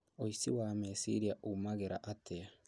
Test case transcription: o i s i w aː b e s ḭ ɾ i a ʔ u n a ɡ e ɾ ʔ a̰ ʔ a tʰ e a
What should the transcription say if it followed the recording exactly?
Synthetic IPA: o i s i w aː m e s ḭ ɾ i a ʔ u m a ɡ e ɾ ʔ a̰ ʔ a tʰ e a